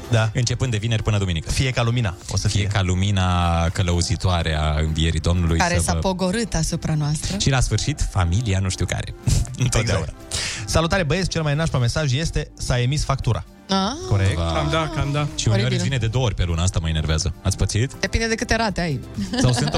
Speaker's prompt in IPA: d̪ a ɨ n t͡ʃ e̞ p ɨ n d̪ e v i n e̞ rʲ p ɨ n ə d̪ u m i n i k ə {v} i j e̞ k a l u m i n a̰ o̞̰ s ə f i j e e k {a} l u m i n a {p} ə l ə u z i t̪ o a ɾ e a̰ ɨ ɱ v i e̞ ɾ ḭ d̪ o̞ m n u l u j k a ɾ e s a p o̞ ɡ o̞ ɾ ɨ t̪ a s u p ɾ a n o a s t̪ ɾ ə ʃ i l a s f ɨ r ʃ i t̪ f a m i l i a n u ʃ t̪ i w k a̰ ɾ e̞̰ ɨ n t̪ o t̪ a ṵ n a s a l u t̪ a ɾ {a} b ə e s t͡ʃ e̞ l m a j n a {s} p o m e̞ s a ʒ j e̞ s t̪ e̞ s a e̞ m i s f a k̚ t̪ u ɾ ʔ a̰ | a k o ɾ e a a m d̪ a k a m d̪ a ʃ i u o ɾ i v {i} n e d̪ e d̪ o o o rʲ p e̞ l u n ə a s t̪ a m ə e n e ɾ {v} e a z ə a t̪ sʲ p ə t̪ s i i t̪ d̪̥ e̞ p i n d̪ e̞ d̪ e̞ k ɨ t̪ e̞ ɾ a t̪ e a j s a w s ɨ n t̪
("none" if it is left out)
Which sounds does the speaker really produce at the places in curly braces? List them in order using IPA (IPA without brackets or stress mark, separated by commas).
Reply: f, a, k, e, ʃ, i, v